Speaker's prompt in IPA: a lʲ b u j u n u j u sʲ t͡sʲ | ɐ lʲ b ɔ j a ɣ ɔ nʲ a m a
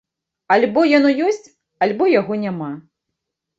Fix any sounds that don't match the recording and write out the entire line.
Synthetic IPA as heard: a lʲ b ɔ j ɔ n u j ɔ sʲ t͡sʲ | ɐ lʲ b ɔ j a ɣ ɔ nʲ a m a